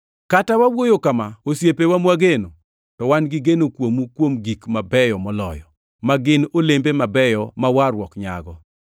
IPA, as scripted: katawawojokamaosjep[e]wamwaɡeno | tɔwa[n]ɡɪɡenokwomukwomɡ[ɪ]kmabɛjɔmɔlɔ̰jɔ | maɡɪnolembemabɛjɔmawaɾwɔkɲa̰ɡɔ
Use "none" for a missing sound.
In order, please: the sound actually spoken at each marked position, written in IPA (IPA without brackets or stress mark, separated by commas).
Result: e, n, i